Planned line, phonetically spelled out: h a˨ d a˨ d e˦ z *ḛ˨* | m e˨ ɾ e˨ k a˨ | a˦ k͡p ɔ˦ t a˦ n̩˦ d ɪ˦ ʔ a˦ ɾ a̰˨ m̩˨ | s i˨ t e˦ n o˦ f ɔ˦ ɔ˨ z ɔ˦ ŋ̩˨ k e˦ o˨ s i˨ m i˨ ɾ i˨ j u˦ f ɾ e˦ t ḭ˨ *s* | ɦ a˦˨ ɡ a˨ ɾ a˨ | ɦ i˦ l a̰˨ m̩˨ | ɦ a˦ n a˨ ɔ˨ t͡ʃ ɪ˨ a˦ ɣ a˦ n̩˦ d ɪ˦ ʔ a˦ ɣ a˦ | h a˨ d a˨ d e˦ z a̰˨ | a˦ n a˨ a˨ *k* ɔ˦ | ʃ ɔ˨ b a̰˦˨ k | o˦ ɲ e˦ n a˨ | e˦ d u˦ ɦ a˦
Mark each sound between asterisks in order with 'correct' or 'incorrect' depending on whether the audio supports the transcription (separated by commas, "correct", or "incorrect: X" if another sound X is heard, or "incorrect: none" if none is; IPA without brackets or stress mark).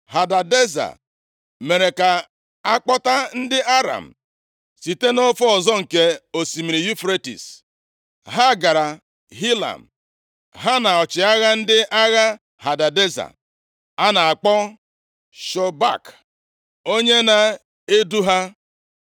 incorrect: a̰˨, correct, incorrect: k͡p